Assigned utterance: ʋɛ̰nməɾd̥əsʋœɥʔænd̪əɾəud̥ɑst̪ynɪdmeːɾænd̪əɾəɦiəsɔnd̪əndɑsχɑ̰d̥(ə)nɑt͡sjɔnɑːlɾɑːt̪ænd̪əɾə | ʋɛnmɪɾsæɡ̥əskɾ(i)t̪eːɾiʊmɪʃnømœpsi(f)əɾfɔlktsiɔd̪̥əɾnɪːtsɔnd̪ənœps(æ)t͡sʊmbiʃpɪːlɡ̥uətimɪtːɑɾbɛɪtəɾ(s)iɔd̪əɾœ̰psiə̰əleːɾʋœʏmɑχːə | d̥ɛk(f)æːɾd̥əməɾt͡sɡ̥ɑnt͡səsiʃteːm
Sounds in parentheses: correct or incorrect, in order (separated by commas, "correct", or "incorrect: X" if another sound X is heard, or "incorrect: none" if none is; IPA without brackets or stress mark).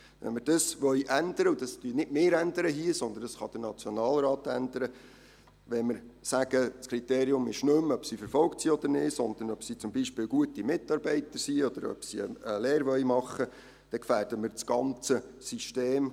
correct, correct, correct, incorrect: i, correct, correct